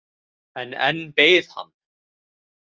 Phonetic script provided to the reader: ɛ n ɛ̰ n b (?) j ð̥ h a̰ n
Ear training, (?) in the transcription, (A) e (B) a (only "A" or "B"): A